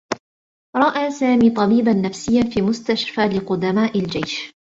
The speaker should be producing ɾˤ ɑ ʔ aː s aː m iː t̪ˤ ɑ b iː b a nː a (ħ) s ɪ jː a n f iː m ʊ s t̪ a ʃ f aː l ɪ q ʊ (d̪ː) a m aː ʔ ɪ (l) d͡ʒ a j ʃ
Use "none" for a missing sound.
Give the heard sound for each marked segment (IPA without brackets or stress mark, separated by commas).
f, d̪, l